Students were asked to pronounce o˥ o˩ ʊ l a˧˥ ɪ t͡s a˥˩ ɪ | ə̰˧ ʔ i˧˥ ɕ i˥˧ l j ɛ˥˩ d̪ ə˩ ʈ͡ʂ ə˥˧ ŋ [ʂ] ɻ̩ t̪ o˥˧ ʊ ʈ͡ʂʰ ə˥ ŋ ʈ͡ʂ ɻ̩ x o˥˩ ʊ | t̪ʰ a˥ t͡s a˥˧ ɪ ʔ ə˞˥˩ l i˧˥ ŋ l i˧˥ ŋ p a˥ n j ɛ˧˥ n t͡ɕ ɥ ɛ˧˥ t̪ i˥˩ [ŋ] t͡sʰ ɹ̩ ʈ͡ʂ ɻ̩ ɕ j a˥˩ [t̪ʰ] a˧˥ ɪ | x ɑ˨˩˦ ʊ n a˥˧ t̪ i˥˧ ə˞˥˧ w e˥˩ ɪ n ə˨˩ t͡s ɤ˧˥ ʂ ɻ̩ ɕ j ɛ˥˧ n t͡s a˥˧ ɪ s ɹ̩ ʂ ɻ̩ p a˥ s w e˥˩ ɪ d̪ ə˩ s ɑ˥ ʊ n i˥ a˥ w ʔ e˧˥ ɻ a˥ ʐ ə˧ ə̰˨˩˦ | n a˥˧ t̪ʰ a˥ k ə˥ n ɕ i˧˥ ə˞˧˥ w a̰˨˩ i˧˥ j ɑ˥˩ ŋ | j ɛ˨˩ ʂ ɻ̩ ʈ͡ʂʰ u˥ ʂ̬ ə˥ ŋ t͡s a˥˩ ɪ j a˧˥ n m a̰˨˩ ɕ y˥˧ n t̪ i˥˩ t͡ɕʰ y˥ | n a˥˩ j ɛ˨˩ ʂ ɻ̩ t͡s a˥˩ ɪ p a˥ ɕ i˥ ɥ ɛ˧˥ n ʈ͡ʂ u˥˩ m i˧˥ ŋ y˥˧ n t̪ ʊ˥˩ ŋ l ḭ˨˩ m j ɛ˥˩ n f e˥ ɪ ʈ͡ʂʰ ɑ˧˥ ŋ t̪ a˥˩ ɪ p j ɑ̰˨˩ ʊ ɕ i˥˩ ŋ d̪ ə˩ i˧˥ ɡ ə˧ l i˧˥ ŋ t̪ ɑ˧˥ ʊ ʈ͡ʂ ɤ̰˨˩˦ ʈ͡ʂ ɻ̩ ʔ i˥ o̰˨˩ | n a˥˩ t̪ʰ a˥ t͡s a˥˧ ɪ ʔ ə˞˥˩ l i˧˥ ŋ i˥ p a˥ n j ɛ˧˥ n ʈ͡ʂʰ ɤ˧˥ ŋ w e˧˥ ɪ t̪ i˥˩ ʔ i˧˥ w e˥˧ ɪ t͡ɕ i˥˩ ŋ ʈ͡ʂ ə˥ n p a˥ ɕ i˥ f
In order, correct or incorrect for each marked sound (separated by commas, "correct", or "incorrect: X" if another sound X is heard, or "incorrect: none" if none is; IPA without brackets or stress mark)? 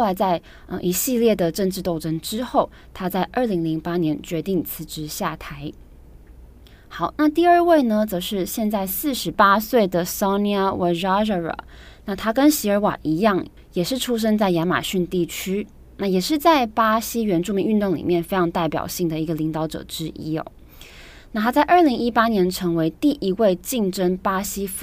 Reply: incorrect: ʈ͡ʂ, correct, correct